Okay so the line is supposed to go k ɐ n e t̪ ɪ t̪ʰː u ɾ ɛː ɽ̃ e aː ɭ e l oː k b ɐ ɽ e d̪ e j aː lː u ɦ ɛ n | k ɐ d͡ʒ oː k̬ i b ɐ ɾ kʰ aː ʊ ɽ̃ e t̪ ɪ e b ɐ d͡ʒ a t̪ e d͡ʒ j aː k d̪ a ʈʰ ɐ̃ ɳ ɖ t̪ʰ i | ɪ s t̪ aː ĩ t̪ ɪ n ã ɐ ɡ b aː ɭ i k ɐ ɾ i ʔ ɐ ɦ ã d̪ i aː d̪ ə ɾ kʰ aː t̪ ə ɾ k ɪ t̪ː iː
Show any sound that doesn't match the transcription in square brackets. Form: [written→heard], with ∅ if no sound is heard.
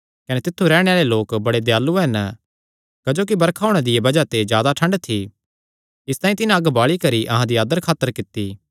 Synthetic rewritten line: k ɐ n e t̪ ɪ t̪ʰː u ɾ ɛː ɽ̃ e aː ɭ e l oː k b ɐ ɽ e d̪ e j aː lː u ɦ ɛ n | k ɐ d͡ʒ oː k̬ i b ɐ ɾ kʰ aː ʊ ɽ̃ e [t̪→d̪] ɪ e b ɐ d͡ʒ a t̪ e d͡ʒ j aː [k→∅] d̪ a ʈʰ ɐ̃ ɳ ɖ t̪ʰ i | ɪ s t̪ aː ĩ t̪ ɪ n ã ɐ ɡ b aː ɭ i k ɐ ɾ i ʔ ɐ ɦ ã d̪ i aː d̪ ə ɾ kʰ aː t̪ ə ɾ k ɪ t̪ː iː